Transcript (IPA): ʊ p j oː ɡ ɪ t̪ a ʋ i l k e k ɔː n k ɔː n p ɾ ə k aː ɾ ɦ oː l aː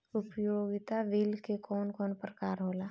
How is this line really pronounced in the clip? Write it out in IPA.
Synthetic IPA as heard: ʊ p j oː ɡ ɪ t̪ a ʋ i l k e k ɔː n k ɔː n p ɾ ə k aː ɾ ɦ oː l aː

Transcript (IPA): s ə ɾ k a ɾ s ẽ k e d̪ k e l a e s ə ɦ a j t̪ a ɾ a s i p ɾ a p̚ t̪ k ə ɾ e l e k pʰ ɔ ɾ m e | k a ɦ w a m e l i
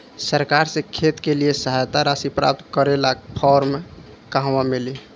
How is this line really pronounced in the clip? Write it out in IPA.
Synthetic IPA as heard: s ə ɾ k a ɾ s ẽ kʰ e t̪ k e l i e s ə ɦ a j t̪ a ɾ a s i p ɾ a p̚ t̪ k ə ɾ e l a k pʰ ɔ ɾ m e | k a ɦ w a m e l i

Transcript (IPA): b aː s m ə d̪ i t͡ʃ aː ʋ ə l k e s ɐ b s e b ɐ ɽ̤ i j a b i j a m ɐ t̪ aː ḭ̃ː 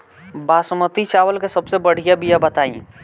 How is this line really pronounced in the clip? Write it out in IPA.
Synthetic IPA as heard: b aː s m ə t̪ i t͡ʃ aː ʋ ə l k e s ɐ b s e b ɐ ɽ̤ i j a b i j a b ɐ t̪ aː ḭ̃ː

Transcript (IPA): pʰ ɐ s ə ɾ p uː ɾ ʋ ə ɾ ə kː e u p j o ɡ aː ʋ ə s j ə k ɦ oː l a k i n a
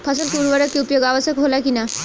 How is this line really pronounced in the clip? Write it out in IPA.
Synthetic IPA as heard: pʰ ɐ s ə l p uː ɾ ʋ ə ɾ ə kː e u p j o ɡ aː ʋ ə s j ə k ɦ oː l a k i n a

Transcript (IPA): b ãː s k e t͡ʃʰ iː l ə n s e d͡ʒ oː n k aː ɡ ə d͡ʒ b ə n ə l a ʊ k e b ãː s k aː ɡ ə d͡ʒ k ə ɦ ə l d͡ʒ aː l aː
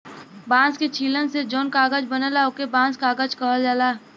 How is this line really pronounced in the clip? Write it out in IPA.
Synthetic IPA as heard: b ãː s k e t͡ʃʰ iː l ə n s e d͡ʒ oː n k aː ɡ ə d͡ʒ b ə n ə l a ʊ k e b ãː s k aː ɡ ə d͡ʒ k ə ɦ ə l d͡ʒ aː l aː

